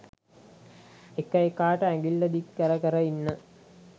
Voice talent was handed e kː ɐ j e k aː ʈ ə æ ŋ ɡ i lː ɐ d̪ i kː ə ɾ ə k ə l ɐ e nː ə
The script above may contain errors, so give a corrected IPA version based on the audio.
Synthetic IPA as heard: e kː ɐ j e k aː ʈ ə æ ŋ ɡ i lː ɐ d̪ i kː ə ɾ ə k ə ɾ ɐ i nː ə